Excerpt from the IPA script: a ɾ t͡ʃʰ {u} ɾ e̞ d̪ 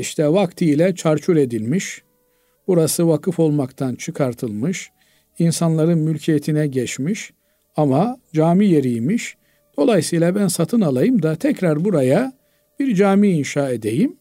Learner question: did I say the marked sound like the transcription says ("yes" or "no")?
yes